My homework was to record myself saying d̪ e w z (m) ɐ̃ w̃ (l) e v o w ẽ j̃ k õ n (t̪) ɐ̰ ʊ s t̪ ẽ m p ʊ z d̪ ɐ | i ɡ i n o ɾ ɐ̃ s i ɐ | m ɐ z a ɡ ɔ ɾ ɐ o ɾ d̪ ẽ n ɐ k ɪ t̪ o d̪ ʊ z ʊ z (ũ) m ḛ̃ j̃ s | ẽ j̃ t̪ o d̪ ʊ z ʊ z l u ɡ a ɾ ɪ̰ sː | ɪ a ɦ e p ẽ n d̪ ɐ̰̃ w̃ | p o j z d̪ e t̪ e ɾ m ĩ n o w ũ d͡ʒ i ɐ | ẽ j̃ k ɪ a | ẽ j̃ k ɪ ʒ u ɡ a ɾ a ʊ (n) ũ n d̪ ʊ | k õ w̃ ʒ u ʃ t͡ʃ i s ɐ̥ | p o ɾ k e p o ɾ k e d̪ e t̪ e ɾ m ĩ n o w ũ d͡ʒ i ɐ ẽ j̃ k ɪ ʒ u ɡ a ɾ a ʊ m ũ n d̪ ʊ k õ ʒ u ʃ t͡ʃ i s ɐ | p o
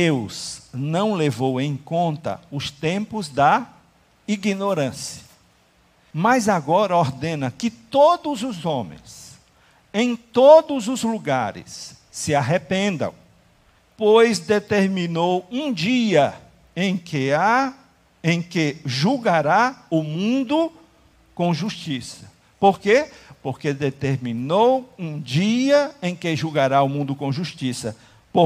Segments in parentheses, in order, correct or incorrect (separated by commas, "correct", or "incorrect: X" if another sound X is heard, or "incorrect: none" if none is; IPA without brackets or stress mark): incorrect: n, correct, correct, incorrect: õ, incorrect: m